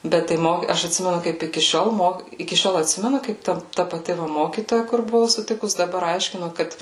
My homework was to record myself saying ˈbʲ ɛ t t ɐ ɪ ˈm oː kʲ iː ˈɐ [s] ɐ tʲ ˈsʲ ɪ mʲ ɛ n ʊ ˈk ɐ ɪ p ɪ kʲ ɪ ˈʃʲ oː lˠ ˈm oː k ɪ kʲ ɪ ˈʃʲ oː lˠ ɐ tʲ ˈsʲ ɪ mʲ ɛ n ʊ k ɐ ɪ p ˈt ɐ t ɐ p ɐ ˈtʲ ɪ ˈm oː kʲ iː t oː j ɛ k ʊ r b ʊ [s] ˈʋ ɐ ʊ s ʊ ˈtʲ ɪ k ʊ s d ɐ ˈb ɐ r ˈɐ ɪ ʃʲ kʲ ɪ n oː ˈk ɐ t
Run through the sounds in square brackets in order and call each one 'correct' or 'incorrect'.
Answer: incorrect, incorrect

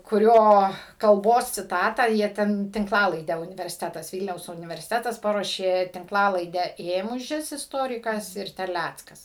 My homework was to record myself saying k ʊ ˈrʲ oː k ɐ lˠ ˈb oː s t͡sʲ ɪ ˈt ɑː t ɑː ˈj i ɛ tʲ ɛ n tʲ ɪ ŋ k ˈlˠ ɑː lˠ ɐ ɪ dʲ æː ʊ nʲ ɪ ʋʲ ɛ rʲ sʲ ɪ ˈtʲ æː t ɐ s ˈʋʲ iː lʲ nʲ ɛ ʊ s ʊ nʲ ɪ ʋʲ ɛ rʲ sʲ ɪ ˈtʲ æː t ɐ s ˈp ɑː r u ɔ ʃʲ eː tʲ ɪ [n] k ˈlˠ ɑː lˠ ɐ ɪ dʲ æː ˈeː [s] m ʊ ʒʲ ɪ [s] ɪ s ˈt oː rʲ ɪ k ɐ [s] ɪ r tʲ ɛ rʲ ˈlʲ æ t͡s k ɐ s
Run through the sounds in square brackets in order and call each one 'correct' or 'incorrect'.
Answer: incorrect, incorrect, correct, correct

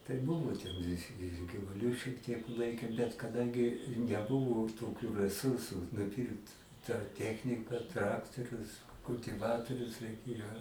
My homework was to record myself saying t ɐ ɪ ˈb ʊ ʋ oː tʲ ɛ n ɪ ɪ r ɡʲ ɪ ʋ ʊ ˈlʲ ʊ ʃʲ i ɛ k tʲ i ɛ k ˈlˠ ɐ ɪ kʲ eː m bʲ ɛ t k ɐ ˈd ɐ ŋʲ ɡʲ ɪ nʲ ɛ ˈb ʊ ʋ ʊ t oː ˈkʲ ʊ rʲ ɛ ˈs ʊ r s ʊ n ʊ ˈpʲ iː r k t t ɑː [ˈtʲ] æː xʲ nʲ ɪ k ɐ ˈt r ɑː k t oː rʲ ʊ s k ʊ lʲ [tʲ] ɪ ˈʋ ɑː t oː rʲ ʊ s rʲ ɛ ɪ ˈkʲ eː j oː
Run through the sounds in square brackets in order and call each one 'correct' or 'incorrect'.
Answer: correct, correct

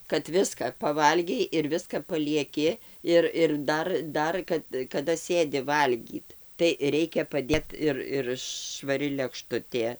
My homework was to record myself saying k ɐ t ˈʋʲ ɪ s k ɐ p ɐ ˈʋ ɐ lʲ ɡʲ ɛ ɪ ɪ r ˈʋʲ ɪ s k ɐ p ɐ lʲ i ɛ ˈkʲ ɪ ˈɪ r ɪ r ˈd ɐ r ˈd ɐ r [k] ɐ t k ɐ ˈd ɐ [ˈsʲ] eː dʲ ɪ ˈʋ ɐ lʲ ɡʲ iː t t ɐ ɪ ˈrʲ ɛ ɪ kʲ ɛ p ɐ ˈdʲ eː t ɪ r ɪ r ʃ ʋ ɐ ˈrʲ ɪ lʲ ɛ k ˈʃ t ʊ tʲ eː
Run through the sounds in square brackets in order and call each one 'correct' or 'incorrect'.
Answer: correct, correct

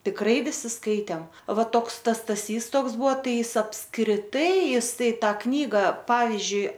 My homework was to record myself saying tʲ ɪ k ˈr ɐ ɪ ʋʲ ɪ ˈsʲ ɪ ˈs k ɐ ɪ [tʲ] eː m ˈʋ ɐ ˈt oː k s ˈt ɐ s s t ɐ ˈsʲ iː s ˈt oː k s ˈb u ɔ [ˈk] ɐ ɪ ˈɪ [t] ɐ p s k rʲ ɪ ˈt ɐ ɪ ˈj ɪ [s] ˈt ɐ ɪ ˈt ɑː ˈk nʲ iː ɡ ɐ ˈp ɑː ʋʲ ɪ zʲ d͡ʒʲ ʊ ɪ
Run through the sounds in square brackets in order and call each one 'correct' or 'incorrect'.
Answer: correct, incorrect, incorrect, correct

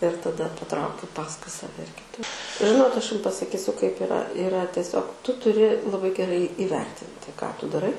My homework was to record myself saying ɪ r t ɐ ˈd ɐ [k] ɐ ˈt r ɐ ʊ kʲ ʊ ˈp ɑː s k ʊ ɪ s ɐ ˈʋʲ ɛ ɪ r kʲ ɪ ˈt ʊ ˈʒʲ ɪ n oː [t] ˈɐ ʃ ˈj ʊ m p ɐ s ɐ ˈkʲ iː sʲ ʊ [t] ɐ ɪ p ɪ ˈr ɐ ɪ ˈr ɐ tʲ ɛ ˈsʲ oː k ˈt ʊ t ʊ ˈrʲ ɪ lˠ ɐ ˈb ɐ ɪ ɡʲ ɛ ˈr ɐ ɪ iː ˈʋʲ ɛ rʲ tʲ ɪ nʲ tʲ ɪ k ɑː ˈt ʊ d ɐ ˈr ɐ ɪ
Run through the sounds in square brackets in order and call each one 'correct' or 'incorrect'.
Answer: incorrect, correct, incorrect

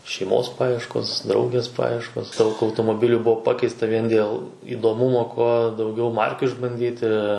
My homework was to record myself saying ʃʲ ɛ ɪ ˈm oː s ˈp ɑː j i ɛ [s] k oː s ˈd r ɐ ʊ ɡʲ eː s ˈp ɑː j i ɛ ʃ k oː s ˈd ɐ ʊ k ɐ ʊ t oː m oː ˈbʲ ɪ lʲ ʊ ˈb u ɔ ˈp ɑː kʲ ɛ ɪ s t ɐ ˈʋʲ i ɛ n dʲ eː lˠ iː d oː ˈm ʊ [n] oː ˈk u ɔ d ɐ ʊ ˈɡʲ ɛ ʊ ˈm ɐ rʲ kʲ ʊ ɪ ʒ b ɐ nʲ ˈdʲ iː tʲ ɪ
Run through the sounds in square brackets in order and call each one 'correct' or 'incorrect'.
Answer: incorrect, incorrect

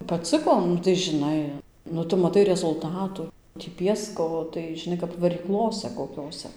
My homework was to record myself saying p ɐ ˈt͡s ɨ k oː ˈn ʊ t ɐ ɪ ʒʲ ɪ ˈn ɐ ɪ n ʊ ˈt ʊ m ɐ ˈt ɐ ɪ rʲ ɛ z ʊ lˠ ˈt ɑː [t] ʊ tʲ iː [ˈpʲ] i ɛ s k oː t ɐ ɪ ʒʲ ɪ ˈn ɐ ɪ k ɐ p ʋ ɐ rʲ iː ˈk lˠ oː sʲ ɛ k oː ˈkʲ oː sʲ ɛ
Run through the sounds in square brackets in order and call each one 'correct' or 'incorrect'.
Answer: correct, correct

